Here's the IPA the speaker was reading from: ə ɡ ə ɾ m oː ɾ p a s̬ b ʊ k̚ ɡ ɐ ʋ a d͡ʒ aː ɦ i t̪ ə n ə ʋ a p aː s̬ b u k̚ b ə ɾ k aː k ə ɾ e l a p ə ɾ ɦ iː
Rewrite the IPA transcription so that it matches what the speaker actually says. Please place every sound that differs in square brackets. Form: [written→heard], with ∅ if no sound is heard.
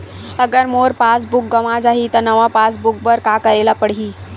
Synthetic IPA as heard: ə ɡ ə ɾ m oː ɾ p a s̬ b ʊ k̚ ɡ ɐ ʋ a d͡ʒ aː ɦ i t̪ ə n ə ʋ a p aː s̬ b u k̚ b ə ɾ k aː k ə ɾ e l a p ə [ɾ→ɽ] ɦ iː